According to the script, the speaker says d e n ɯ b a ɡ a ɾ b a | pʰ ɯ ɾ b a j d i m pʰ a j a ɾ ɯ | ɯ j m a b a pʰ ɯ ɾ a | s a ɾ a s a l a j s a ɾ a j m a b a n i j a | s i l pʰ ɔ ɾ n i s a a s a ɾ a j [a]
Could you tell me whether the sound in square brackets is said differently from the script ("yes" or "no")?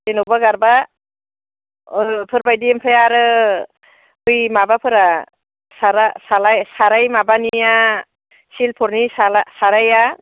no